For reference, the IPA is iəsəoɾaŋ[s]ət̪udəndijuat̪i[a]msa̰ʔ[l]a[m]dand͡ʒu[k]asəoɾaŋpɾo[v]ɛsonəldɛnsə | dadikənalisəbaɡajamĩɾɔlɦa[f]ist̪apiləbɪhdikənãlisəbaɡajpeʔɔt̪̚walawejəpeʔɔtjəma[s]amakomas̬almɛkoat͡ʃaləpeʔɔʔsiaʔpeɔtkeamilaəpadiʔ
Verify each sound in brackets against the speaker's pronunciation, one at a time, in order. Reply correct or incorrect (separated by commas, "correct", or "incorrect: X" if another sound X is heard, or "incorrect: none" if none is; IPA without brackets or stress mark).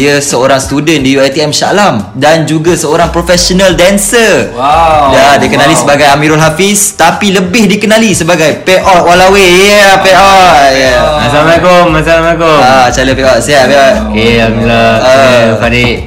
correct, incorrect: ɛ, correct, correct, incorrect: ɡ, incorrect: f, correct, correct